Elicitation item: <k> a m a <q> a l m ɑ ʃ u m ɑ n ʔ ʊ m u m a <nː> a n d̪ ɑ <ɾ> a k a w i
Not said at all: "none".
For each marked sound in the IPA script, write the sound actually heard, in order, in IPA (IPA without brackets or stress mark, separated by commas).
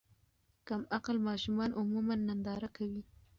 k, q, nː, ɾ